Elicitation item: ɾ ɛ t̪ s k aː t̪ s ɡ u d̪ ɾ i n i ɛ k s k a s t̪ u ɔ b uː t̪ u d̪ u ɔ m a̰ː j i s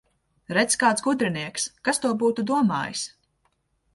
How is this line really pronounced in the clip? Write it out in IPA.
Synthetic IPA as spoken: ɾ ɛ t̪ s k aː t̪ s ɡ u d̪ ɾ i n i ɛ k s k a s t̪ u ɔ b uː t̪ u d̪ u ɔ m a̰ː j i s